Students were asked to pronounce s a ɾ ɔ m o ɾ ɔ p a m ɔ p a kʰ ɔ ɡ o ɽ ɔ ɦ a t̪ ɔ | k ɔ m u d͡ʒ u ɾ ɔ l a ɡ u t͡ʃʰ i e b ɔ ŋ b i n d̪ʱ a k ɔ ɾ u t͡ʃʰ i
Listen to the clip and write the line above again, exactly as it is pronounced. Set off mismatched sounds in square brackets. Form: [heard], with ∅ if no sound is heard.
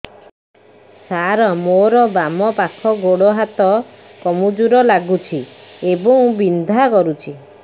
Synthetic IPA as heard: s a ɾ ɔ m o ɾ ɔ [b] a m ɔ p a kʰ ɔ ɡ o ɽ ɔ ɦ a t̪ ɔ | k ɔ m u d͡ʒ u ɾ ɔ l a ɡ u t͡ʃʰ i e b ɔ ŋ b i n d̪ʱ a k ɔ ɾ u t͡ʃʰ i